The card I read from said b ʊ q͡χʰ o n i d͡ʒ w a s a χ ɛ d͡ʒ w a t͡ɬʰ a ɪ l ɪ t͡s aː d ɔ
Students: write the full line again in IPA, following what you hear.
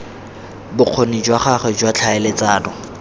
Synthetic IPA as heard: b ʊ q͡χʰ o n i d͡ʒ w a χ a χ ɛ d͡ʒ w a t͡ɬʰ a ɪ l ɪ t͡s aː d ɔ

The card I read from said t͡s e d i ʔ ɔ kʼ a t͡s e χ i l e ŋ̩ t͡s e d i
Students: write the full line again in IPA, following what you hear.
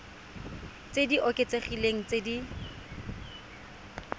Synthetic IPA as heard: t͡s e d i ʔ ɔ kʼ e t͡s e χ i l e ŋ̩ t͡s e d i

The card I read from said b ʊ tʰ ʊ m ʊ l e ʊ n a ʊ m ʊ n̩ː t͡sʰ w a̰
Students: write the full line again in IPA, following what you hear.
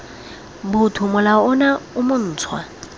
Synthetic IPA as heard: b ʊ tʰ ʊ m ʊ l a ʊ n a ʊ m ʊ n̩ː t͡sʰ w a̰

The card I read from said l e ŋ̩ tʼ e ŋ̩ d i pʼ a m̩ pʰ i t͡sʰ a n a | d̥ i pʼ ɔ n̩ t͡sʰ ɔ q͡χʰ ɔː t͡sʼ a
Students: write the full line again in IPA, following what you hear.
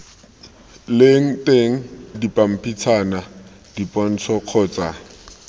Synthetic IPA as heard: l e ŋ̩ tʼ e ŋ̩ d i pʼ a m̩ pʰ i t͡sʰ a n a | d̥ i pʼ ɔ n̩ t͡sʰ ɔ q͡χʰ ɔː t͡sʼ a

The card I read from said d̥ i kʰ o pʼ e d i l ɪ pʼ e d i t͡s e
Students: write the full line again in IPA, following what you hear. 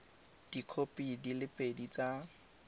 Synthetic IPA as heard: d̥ i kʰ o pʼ i d i l ɪ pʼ e d i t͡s a

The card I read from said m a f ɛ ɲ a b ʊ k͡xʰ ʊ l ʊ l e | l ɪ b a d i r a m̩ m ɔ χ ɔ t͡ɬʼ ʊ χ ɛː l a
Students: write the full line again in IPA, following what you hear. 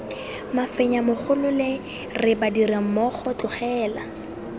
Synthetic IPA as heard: m a f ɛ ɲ a m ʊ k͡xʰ ʊ l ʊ l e | r ɪ b a d i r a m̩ m ɔ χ ɔ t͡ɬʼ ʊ χ ɛː l a

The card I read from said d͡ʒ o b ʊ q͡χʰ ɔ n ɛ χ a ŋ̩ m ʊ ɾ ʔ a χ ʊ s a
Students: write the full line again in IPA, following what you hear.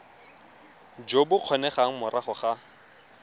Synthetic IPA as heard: d͡ʒ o b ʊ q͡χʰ ɔ n ɛ χ a ŋ̩ m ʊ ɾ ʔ a χ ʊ χ a

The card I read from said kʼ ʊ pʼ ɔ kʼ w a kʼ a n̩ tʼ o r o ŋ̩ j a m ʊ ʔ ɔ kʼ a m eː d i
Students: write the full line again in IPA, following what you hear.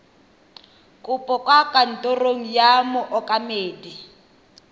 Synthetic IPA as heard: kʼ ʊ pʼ ɔ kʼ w a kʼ a n̩ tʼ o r o ŋ̩ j a m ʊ ʔ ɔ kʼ a m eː d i

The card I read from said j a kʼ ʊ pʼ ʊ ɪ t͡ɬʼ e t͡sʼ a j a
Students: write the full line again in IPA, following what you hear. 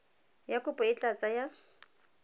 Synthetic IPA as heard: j a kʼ ʊ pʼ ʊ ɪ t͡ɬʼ a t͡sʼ a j a

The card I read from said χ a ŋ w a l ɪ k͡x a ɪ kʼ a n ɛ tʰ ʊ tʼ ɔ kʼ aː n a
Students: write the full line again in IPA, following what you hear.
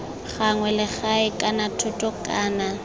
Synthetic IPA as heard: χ a ŋ w ɛ l ɪ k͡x a ɪ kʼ a n a tʰ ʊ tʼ ɔ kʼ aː n a

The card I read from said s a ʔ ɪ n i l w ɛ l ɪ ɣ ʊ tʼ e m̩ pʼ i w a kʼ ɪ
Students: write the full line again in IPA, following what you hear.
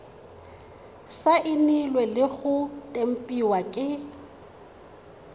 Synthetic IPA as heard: s a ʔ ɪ n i l w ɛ l ɪ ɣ ʊ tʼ e m̩ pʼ i w a kʼ ɪ

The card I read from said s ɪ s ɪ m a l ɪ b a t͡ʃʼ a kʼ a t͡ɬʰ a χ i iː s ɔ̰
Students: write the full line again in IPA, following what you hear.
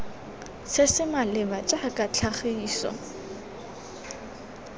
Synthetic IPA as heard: s ɪ s ɪ m a l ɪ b a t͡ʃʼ a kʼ a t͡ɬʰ a χ i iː s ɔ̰

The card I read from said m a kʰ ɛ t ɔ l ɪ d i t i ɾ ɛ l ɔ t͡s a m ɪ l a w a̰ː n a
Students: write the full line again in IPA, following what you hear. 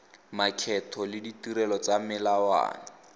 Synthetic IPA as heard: m a kʰ ɛ tʰ ɔ l ɪ d i t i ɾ ɛ l ɔ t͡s a m ɪ l a w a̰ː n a

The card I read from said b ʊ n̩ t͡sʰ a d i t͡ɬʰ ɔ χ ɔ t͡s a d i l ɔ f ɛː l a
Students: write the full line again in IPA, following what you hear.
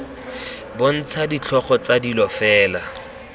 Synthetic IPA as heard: b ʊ n̩ t͡sʰ a d i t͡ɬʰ ɔ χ ɔ t͡s a d i l ɔ f ɛː l a

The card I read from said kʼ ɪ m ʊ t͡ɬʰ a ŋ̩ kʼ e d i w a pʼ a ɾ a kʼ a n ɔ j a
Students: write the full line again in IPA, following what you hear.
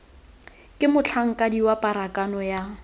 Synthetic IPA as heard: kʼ ɪ m ʊ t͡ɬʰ a ŋ̩ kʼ a d i w a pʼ a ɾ a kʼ a n ɔ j a

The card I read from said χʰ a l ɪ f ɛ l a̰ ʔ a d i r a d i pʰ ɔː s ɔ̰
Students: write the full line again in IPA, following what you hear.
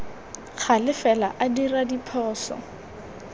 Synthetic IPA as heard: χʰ a l ɪ f ɛ l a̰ ʔ a d i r a d i pʰ ɔː s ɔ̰

